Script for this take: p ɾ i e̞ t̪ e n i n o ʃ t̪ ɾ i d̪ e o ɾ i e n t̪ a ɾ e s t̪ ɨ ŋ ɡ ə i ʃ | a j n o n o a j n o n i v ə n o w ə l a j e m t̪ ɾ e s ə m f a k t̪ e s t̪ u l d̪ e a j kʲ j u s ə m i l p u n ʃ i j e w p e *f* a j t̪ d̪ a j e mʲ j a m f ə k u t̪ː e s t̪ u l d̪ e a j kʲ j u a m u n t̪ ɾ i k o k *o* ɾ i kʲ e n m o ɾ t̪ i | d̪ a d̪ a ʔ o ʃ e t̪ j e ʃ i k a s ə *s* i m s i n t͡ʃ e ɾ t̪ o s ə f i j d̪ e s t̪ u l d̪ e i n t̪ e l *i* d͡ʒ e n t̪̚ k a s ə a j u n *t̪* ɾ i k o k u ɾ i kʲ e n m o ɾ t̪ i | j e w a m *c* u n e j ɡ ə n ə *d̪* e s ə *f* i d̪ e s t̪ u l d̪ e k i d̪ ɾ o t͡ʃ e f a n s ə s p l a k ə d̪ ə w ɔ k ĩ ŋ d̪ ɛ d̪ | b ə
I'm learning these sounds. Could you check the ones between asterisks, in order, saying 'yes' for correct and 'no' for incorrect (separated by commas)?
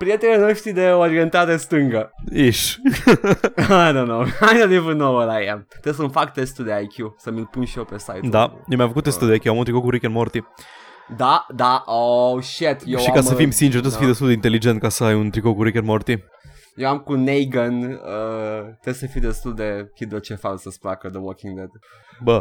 no, no, no, yes, yes, no, no, yes